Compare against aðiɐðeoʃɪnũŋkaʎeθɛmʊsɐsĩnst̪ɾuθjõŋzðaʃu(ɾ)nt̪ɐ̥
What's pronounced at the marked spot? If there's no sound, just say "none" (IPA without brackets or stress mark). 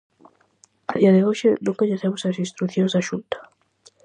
none